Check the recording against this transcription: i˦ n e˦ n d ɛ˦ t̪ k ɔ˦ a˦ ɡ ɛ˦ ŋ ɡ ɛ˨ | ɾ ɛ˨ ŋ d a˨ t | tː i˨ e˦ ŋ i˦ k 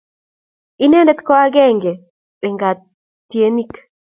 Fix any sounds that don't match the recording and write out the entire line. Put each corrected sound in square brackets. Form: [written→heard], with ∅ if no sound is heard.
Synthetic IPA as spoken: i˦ n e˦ n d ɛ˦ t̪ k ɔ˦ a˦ ɡ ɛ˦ ŋ ɡ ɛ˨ | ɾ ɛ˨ ŋ [d→ɡ] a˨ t | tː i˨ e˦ [ŋ→n] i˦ k